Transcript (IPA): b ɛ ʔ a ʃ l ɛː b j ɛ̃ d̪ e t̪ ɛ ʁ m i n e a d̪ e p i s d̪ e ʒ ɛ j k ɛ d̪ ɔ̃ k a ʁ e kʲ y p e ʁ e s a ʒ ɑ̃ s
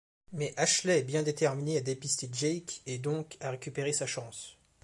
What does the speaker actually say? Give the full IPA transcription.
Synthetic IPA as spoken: m ɛ ʔ a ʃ l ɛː b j ɛ̃ d̪ e t̪ ɛ ʁ m i n e a d̪ e p i s t̪ e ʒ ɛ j k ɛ d̪ ɔ̃ k a ʁ e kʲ y p e ʁ e s a ʃ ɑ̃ s